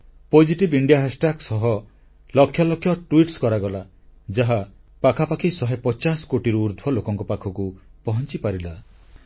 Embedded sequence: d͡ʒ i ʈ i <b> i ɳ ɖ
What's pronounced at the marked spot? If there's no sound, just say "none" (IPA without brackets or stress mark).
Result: b